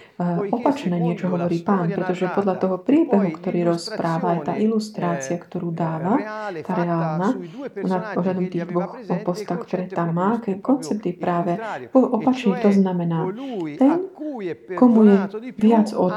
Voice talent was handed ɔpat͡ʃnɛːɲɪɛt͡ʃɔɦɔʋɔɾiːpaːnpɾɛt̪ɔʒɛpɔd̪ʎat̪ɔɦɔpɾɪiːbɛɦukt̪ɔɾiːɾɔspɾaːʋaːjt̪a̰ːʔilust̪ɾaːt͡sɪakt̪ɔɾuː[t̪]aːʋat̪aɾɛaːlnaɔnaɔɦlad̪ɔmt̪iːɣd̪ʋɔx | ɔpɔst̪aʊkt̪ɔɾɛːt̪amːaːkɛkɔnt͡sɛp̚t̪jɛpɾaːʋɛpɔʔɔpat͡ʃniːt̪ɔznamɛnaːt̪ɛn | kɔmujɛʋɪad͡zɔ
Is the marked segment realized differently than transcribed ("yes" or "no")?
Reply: yes